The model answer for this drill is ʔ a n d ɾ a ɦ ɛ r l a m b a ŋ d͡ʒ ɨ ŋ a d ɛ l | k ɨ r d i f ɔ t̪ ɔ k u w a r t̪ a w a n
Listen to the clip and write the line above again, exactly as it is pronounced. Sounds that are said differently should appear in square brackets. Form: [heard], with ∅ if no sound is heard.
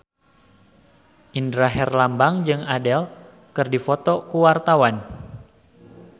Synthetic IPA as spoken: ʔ [i] n d ɾ a ɦ ɛ r l a m b a ŋ d͡ʒ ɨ ŋ a d ɛ l | k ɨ r d i f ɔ t̪ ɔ k u w a r t̪ a w a n

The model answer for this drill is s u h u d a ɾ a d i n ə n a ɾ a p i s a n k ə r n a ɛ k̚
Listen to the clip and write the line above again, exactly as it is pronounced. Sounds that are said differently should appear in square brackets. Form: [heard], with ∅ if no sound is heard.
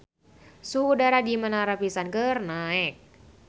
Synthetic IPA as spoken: s u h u d a ɾ a d i [m] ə n a ɾ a p i s a n k ə r n a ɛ k̚

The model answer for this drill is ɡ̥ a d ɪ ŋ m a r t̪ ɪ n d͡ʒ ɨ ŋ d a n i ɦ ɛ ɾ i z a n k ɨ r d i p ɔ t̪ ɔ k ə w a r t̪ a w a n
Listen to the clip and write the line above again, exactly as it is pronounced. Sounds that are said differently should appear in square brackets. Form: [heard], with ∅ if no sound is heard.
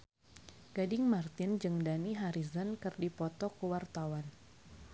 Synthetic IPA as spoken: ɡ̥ a d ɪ ŋ m a r t̪ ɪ n d͡ʒ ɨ ŋ d a n i ɦ [a] ɾ i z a n k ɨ r d i p ɔ t̪ ɔ k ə w a r t̪ a w a n

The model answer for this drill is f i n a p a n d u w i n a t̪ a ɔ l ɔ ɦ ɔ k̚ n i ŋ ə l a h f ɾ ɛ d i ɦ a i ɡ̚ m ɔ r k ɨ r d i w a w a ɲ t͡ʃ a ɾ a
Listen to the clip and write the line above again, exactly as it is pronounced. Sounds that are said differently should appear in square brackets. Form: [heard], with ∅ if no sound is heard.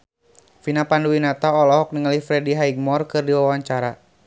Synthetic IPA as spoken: f i n a p a n d u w i n a t̪ a ɔ l ɔ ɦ ɔ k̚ n i ŋ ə l [i] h f ɾ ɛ d i ɦ a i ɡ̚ m ɔ r k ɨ r d i w a w a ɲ t͡ʃ a ɾ a

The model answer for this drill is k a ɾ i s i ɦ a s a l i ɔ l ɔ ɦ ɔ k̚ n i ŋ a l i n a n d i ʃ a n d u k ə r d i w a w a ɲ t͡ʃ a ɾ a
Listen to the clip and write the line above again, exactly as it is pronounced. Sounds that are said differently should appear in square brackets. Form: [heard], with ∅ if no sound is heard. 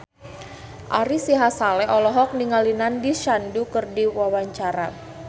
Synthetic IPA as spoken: [ʔ] a ɾ i s i ɦ a s a l [ɛ] ɔ l ɔ ɦ ɔ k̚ n i ŋ a l i n a n d i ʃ a n d u k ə r d i w a w a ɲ t͡ʃ a ɾ a

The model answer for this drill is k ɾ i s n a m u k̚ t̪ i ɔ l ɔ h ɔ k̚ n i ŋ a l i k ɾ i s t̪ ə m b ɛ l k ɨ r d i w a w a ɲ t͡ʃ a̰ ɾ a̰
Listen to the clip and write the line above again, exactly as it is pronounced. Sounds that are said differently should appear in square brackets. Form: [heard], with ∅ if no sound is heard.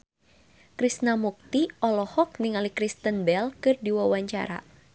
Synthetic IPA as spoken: k ɾ i s n a m u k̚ t̪ i ɔ l ɔ h ɔ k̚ n i ŋ a l i k ɾ i s t̪ ə [n] b ɛ l k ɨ r d i w a w a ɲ t͡ʃ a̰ ɾ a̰

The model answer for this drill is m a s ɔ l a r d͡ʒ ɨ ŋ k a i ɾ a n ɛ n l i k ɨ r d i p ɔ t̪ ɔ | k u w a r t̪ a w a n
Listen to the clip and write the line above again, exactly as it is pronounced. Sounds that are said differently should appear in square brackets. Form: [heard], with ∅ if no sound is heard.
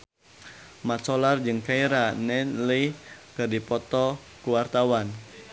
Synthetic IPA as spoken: m a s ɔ l a r d͡ʒ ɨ ŋ k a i ɾ a n ɛ n l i k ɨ r d i p ɔ t̪ ɔ | k u w a r t̪ a w a n

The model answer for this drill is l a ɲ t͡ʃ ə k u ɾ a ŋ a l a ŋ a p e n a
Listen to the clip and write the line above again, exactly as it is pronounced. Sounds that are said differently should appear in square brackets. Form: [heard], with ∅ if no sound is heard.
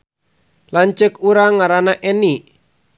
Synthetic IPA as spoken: l a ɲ t͡ʃ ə k u ɾ a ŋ a [ɾ] a [n] a [ʔ] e n [i]

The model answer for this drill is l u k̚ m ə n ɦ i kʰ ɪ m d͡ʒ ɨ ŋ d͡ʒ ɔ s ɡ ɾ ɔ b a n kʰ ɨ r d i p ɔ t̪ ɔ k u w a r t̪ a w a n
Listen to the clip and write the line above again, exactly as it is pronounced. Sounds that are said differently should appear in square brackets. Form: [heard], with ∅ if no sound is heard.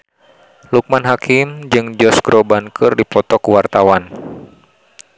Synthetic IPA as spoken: l u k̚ m [a] n ɦ [a] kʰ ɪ m d͡ʒ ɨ ŋ d͡ʒ ɔ s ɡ ɾ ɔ b a n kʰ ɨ r d i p ɔ t̪ ɔ k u w a r t̪ a w a n

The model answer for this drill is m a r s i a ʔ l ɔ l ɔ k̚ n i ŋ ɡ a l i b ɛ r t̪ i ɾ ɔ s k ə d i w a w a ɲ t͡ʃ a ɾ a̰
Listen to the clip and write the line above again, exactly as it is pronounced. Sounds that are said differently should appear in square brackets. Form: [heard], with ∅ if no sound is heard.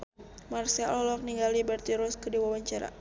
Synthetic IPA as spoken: m a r s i a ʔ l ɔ l ɔ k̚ n i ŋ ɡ a l i b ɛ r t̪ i ɾ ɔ s k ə d i w a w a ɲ t͡ʃ a ɾ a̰

